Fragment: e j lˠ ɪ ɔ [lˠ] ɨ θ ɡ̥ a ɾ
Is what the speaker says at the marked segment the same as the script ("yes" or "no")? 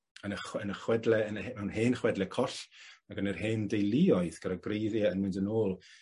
no